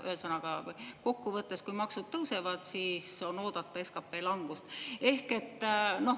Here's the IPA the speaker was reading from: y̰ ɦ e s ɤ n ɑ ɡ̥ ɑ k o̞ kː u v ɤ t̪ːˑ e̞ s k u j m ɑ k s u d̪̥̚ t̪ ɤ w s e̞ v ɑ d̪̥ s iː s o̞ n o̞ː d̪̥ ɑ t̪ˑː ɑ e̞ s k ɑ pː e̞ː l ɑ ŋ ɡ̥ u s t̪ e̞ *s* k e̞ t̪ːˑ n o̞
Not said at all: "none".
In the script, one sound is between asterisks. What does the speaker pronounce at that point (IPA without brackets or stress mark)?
h